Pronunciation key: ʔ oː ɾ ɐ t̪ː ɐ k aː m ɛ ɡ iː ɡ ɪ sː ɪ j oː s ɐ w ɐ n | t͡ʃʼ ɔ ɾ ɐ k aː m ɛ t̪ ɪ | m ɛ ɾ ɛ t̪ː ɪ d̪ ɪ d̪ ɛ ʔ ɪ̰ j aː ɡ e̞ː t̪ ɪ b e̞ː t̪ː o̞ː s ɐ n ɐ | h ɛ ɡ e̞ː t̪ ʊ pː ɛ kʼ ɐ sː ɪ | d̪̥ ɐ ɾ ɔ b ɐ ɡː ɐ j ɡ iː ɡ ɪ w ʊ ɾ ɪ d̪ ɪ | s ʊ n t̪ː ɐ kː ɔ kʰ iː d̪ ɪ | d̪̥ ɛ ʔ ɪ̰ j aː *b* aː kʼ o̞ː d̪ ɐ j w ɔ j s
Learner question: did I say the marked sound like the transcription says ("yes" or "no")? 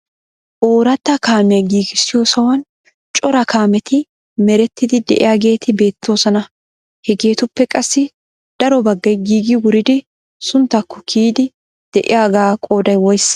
no